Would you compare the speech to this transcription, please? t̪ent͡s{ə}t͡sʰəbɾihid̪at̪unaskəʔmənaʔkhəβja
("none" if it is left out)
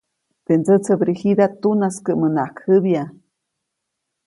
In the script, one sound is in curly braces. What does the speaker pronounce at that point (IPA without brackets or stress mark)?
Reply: ə